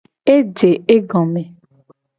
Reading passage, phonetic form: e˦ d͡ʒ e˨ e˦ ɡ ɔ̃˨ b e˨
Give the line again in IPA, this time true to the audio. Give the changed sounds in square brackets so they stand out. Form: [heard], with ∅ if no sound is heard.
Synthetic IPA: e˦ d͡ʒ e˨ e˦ ɡ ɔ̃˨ [m] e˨

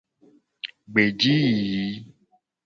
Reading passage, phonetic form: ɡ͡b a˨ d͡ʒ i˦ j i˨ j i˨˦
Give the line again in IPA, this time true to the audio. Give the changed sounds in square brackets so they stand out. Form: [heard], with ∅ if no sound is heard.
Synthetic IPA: ɡ͡b [e˨] d͡ʒ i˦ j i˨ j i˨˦

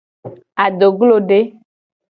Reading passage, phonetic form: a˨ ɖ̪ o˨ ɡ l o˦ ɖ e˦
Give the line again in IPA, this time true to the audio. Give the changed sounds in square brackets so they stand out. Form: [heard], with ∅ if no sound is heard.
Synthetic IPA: a˨ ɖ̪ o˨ ɡ l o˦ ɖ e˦

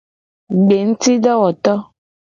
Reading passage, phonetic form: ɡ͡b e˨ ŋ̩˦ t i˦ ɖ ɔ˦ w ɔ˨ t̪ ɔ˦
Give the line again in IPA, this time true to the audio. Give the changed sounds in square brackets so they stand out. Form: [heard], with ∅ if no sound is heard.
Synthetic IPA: ɡ͡b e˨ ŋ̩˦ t i˦ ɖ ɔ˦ w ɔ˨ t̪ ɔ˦

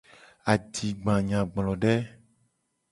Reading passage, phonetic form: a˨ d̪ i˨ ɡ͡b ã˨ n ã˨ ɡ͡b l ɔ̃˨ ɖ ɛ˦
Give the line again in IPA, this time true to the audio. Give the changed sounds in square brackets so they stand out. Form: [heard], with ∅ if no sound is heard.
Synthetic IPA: a˨ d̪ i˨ ɡ͡b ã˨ [ɲ] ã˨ ɡ͡b l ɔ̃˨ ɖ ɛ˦

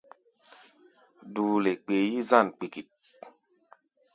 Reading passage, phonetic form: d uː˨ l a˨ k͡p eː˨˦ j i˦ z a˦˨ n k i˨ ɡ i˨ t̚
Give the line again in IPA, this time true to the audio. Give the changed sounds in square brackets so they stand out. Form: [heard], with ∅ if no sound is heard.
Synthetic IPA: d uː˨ l [e˨] k͡p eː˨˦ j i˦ z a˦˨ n [k͡p] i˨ [k] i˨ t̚

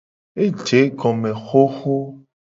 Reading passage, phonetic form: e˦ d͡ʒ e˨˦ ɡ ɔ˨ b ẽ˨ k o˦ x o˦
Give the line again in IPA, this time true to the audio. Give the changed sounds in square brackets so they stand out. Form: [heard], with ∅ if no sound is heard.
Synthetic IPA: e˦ d͡ʒ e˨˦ ɡ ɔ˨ [m] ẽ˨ [x] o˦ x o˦

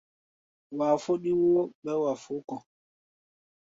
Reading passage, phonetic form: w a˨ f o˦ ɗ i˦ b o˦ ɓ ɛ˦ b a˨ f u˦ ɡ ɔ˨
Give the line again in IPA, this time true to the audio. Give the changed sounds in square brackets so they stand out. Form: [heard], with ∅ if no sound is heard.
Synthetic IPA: w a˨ f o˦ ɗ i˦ [w] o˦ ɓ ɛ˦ [w] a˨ f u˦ [k] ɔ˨

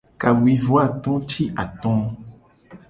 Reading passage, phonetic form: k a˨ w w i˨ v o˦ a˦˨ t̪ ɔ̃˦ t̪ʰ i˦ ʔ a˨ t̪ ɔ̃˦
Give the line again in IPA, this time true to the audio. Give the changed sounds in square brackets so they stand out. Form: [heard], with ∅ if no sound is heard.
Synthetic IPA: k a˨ w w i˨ v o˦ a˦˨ t̪ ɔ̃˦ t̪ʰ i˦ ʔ a˨ t̪ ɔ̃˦

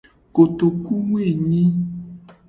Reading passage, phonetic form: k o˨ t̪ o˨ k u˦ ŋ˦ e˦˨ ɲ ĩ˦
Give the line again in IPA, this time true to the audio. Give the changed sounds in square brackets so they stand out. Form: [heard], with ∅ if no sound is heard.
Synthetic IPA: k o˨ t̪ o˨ k u˦ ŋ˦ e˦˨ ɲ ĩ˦

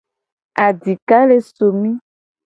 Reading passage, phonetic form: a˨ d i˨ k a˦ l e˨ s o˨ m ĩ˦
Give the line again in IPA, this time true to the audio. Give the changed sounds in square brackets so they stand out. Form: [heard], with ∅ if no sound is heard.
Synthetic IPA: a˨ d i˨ k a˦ l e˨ s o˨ m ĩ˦

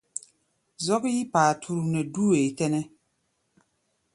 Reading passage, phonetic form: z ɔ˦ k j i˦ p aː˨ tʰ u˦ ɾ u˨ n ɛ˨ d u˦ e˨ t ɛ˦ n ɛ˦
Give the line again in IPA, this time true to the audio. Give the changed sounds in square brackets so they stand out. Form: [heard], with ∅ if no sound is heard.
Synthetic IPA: z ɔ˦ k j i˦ p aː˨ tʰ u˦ ɾ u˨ n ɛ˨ d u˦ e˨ t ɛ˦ n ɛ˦

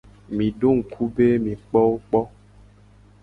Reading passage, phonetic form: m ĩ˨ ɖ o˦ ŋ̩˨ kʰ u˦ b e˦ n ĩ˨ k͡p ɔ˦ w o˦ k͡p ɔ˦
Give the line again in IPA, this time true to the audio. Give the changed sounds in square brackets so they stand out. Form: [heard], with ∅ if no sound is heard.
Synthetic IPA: m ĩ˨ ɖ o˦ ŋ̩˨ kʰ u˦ b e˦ [m] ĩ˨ k͡p ɔ˦ w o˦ k͡p ɔ˦

